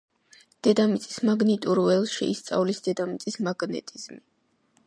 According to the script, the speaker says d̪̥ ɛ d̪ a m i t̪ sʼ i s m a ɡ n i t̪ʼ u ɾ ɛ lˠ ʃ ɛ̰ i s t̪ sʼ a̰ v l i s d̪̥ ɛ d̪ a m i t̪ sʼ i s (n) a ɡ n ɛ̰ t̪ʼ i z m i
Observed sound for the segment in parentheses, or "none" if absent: m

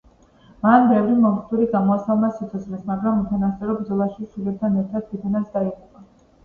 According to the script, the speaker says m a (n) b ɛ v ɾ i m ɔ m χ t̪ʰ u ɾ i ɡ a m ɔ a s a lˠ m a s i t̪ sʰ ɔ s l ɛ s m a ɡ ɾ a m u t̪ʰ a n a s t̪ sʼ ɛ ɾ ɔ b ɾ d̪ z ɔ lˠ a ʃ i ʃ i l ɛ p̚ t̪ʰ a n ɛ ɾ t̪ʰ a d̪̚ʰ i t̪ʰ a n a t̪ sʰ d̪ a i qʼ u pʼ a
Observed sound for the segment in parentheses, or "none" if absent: n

